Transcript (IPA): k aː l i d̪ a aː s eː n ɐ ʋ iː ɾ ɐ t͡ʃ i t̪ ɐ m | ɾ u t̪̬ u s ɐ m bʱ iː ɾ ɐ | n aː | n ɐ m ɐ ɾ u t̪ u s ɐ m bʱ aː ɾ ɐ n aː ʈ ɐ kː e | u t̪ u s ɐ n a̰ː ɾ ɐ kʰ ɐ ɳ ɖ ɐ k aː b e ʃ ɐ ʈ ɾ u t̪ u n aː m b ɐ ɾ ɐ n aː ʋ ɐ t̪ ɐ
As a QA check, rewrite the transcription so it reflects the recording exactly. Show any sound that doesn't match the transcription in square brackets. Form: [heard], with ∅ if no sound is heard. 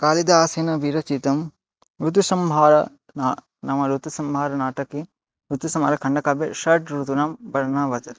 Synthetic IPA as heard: k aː l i d̪ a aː s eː n ɐ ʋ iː ɾ ɐ t͡ʃ i t̪ ɐ m | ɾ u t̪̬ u s ɐ m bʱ [aː] ɾ ɐ | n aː | n ɐ m ɐ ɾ u t̪ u s ɐ m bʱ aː ɾ ɐ n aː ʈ ɐ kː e | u t̪ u s ɐ [m] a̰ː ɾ ɐ kʰ ɐ ɳ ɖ ɐ k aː b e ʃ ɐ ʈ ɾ u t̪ u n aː m b ɐ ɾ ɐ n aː ʋ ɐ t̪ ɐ